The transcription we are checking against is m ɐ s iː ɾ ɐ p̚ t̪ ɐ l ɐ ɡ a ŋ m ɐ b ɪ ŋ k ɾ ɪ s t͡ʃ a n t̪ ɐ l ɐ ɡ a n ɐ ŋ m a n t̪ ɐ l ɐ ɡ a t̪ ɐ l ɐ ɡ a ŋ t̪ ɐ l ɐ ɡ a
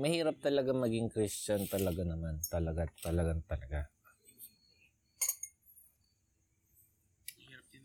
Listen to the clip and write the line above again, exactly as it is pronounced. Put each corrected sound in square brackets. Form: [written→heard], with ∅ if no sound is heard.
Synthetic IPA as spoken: m ɐ [s→h] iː ɾ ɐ p̚ t̪ ɐ l ɐ ɡ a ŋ m ɐ [b→ɡ] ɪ ŋ k ɾ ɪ s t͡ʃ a n t̪ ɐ l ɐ ɡ a n ɐ [ŋ→∅] m a n t̪ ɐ l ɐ ɡ a t̪ ɐ l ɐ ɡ a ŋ t̪ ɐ l ɐ ɡ a